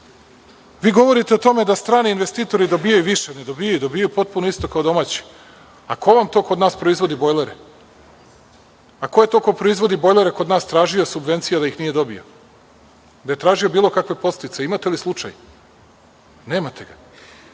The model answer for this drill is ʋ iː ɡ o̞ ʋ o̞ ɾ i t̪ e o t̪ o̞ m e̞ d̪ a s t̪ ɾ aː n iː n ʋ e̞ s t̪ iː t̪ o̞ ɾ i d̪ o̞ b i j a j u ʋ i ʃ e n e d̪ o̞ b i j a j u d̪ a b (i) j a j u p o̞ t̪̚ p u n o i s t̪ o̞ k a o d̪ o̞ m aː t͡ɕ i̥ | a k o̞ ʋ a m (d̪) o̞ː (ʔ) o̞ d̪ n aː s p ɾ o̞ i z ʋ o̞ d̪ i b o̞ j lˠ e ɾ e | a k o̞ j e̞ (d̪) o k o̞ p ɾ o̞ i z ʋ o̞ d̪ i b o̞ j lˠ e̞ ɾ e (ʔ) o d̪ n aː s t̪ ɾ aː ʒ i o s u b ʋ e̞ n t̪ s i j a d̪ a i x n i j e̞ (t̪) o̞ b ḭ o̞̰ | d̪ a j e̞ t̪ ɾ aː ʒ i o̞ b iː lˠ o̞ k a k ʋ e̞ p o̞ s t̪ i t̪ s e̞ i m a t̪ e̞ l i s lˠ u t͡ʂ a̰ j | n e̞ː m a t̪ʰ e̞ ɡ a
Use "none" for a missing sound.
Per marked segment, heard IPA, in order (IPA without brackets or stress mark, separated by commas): i, t̪, k, t̪, k, d̪